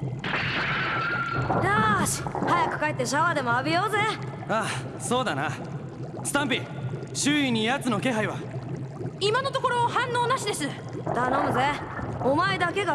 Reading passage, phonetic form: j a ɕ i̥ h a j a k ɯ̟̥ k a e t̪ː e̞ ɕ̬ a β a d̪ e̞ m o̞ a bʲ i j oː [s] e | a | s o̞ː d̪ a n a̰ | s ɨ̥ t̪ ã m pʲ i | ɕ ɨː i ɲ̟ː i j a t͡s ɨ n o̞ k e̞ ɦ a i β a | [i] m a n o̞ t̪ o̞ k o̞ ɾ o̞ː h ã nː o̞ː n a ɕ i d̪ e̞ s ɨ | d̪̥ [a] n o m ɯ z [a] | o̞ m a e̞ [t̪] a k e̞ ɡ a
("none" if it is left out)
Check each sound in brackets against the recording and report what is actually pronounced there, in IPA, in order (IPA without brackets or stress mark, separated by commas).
z, i, a, e, d̪